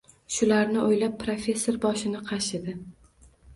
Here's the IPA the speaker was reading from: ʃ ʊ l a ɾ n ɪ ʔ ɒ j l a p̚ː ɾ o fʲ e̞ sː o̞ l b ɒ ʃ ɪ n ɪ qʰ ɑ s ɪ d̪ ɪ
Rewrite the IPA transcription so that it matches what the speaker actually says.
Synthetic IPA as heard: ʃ ʊ l a ɾ n ɪ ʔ o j l a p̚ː ɾ o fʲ e̞ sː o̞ ɾ b ɒ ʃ ɪ n ɪ qʰ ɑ ʃ ɪ d̪ ɪ